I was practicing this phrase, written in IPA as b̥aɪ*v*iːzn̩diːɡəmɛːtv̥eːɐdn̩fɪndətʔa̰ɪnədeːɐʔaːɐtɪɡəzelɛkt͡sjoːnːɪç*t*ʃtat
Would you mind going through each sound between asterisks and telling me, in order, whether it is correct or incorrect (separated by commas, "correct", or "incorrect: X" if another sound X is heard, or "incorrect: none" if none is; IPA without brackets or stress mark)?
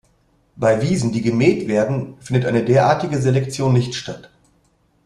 correct, correct